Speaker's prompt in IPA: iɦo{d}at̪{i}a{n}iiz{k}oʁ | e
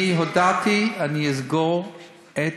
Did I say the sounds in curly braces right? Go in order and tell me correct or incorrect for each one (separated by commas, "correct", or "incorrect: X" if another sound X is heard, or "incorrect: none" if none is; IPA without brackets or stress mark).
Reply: correct, correct, correct, incorrect: ɡ